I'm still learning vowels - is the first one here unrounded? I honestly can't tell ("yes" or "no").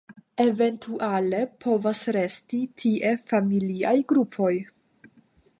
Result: yes